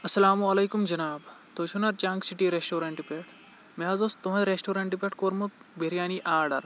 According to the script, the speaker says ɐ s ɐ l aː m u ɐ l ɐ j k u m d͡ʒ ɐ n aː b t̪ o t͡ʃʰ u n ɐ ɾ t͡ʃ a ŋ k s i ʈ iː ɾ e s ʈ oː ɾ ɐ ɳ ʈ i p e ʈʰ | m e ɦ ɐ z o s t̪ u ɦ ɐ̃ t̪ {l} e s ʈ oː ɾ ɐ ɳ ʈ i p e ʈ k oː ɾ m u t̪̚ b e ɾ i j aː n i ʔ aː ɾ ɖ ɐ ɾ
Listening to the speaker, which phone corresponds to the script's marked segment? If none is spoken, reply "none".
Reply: ɾ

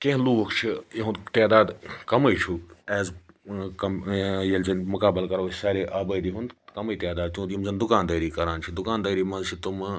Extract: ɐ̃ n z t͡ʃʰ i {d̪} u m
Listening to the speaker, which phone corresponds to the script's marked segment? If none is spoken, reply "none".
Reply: t̪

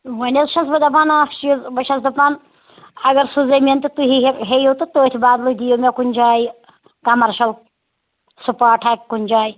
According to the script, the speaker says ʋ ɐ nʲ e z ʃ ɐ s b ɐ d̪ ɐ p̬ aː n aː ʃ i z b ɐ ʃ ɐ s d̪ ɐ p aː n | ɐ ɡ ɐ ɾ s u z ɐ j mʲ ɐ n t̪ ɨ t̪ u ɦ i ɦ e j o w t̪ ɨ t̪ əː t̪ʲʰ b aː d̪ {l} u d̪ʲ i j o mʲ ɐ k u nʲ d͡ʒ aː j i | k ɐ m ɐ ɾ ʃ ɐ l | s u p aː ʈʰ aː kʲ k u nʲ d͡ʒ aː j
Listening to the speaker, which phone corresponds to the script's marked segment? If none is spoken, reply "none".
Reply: l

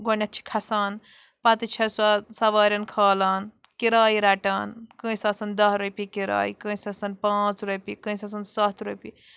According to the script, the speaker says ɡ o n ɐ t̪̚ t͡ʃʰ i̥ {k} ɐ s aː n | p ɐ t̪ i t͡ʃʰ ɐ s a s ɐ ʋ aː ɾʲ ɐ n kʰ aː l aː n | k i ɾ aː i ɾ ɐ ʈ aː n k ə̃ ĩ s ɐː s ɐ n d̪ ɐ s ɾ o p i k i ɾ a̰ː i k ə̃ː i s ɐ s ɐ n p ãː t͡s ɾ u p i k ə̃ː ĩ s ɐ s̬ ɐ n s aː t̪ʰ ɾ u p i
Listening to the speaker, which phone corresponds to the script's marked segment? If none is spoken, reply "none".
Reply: kʰ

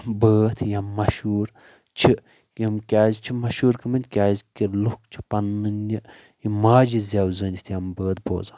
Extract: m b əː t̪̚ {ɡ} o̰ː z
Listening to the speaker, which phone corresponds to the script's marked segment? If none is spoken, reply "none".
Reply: b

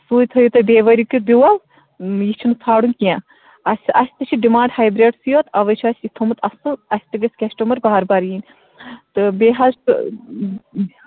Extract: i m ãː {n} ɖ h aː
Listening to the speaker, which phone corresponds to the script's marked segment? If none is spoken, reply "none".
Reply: ɳ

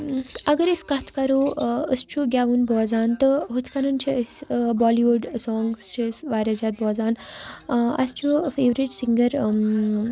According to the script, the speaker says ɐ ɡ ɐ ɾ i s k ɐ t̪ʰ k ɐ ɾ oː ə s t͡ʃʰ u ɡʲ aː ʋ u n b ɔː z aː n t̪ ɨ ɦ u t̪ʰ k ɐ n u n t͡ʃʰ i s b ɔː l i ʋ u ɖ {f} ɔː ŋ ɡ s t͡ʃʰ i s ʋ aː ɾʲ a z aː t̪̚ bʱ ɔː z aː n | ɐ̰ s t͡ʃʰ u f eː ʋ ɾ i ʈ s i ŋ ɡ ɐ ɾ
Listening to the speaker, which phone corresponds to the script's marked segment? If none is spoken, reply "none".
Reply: s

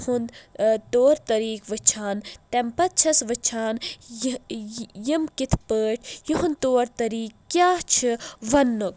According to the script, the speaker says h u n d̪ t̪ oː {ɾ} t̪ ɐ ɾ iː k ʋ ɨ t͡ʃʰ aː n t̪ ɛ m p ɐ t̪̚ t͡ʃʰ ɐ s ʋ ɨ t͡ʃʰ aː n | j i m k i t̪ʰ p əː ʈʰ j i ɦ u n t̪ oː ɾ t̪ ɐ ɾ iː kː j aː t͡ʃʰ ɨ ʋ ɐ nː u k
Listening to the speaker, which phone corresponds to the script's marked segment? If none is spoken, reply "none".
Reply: ɾ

